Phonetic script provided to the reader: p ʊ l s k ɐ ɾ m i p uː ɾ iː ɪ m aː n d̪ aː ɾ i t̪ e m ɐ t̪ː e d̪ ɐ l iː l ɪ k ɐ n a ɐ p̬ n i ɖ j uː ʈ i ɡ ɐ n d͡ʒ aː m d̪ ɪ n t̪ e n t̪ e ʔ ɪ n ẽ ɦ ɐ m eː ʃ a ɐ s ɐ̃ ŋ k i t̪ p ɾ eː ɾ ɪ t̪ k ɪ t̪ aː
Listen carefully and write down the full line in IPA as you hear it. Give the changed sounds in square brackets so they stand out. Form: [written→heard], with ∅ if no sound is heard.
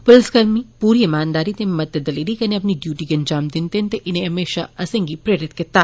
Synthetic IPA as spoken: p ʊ l s k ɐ ɾ m i p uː ɾ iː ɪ m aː n d̪ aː ɾ i t̪ e m ɐ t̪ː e d̪ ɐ l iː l [ɪ→i] k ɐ n [a→e] ɐ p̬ n i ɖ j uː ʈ i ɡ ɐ n d͡ʒ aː m d̪ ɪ n t̪ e n t̪ e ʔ ɪ n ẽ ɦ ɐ m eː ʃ a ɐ s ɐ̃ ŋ [k→ɡ] i [t̪→∅] p ɾ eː ɾ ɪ t̪ k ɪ t̪ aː